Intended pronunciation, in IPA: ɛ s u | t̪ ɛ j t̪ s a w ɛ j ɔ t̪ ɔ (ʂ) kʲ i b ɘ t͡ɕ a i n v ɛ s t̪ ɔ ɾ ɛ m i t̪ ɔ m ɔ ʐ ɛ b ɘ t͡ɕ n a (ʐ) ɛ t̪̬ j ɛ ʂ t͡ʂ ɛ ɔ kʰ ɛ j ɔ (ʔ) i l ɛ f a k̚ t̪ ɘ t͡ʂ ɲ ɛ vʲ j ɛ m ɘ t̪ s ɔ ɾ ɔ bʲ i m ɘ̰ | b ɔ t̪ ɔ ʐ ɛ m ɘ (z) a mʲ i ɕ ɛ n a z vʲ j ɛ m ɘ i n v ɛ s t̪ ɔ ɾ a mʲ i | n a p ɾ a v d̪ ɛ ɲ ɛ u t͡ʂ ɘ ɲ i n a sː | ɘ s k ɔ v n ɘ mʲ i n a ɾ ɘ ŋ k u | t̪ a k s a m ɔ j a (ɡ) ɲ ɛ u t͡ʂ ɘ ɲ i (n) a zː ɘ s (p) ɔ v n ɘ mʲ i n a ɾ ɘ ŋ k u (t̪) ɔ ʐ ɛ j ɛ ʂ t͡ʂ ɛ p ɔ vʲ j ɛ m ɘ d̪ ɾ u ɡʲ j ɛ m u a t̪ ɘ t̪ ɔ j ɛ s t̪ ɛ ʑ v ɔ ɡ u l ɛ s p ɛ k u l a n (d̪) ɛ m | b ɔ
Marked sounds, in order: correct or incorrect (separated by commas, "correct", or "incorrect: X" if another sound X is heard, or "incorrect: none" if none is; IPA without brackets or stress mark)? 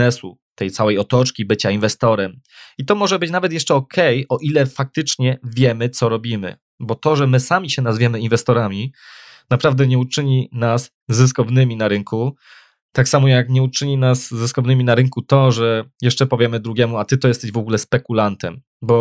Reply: incorrect: t͡ʂ, incorrect: v, correct, incorrect: s, incorrect: k, correct, incorrect: k, correct, incorrect: t̪